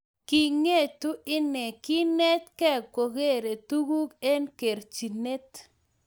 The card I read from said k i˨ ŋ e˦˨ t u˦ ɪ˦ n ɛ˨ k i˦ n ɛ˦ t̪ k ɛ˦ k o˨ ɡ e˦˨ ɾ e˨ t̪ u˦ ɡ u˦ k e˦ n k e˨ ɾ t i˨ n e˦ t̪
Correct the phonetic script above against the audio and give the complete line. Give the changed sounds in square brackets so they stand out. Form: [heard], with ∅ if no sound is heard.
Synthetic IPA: k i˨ ŋ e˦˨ t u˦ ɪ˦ n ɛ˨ k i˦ n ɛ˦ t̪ k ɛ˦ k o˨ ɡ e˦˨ ɾ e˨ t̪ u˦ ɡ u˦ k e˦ n k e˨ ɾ [t͡ʃ] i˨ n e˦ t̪